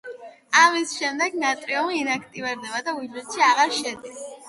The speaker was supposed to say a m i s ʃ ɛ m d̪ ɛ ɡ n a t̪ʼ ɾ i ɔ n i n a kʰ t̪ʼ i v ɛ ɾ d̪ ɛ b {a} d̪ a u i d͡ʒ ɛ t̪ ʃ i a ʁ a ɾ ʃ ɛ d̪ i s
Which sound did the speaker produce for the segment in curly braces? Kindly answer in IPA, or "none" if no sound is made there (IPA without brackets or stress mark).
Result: a